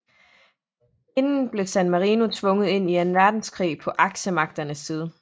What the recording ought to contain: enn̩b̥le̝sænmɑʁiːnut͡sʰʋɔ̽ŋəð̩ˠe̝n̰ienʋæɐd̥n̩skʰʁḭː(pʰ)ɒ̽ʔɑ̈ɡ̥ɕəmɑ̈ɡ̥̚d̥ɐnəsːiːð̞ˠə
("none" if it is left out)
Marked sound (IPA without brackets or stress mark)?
pʰ